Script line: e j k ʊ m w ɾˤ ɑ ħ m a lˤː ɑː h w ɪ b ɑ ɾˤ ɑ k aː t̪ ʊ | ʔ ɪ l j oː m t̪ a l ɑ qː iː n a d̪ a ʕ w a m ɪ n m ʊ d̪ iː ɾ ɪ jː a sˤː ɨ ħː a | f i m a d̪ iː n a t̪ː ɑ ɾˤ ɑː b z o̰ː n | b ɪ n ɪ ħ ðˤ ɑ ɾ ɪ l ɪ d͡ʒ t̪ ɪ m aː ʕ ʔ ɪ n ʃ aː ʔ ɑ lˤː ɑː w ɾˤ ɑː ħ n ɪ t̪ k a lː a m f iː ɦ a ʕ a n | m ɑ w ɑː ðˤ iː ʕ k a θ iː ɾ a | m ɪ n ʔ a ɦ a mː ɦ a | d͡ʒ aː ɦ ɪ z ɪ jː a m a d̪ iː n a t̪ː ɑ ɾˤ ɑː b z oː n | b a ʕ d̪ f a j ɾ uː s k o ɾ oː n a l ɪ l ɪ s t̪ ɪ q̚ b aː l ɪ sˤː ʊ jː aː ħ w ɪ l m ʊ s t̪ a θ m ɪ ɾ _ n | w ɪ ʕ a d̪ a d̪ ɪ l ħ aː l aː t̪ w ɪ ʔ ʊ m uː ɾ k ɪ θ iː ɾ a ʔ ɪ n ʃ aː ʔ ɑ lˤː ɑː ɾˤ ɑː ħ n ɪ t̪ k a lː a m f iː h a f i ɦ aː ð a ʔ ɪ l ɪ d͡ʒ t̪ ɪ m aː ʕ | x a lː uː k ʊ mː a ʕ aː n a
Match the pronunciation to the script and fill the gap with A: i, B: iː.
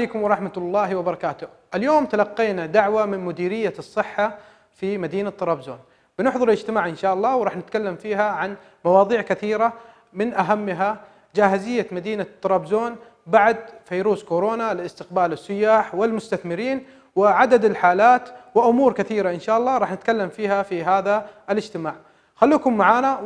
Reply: B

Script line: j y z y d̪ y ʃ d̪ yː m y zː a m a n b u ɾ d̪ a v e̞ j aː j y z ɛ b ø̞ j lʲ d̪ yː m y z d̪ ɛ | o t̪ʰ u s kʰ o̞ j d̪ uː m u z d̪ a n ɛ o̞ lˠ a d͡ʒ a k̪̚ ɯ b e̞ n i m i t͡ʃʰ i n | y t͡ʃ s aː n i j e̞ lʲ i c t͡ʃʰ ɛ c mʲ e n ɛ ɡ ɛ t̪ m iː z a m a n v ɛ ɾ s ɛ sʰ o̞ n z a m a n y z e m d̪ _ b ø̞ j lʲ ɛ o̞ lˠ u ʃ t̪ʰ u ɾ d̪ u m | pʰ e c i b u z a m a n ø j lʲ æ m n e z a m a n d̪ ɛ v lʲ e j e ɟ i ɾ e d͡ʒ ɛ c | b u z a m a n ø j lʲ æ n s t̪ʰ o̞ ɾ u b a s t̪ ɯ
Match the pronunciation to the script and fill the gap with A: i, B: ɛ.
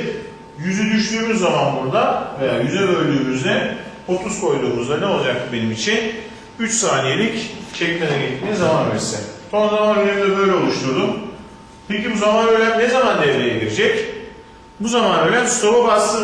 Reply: B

